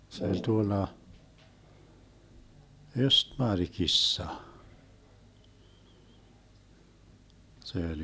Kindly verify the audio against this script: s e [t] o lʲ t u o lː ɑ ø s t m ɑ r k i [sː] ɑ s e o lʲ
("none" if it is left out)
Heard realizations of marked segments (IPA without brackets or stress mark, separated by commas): none, sː